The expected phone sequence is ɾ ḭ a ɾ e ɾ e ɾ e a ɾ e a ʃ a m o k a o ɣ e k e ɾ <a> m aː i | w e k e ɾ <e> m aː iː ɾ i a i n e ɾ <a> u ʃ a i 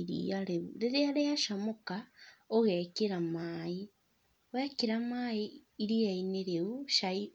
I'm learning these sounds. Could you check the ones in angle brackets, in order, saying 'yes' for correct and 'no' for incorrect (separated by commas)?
yes, no, no